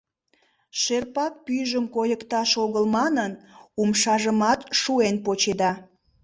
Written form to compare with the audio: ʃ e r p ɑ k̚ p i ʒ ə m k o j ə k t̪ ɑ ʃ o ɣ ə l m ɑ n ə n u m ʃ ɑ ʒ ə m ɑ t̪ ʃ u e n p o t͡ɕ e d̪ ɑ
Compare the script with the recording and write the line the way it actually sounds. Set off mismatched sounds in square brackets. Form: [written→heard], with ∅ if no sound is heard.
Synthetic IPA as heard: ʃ e r p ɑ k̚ p [i→y] ʒ ə m k o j ə k t̪ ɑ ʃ o ɣ ə l m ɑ n ə n u m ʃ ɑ ʒ ə m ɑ t̪ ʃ u e n p o t͡ɕ e d̪ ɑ